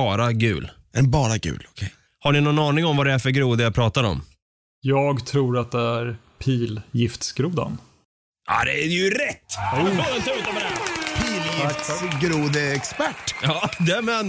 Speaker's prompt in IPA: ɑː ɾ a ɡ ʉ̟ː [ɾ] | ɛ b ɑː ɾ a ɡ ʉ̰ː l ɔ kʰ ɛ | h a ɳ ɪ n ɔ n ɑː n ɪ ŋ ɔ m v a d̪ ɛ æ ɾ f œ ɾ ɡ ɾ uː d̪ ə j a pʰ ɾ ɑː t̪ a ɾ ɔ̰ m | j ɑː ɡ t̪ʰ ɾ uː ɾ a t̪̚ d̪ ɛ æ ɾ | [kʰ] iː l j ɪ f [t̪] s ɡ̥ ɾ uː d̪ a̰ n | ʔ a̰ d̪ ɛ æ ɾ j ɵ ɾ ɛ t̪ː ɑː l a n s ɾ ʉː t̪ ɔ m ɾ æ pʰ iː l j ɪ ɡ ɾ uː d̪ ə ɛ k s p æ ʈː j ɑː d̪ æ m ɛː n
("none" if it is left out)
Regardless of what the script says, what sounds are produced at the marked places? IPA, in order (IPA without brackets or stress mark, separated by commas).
l, pʰ, t̪